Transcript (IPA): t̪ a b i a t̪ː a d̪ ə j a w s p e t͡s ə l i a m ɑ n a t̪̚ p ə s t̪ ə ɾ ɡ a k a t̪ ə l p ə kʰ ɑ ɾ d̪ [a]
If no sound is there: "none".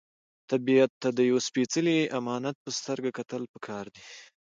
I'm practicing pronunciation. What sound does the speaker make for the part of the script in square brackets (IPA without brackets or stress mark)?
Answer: i